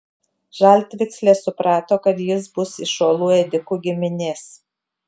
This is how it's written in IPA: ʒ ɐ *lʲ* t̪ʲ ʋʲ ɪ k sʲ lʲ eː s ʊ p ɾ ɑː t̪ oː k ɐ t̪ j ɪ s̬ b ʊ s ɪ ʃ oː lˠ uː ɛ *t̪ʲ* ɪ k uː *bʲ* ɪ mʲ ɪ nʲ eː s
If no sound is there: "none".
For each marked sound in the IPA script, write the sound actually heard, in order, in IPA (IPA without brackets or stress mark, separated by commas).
lʲ, d̪ʲ, ɡʲ